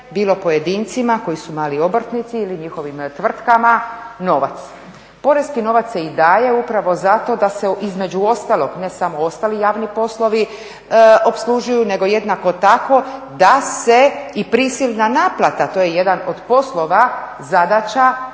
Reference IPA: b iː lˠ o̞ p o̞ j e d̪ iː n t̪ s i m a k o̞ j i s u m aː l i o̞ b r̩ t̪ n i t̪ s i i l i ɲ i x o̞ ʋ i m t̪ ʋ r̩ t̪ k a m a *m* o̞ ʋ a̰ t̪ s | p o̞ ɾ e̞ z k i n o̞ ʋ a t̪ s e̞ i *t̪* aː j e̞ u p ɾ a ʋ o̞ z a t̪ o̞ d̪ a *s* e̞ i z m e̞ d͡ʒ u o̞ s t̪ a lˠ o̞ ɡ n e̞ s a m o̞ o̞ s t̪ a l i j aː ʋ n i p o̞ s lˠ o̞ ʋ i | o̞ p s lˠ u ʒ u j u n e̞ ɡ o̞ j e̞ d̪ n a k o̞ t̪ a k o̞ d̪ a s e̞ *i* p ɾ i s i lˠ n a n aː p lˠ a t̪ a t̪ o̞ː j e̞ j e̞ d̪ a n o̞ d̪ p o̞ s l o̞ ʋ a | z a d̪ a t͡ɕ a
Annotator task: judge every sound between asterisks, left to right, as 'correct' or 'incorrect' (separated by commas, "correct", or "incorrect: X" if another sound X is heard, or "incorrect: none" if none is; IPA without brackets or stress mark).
incorrect: n, incorrect: d̪, correct, correct